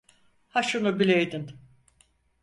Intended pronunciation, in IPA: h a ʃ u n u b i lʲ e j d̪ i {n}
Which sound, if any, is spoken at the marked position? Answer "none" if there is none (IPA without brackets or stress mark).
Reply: n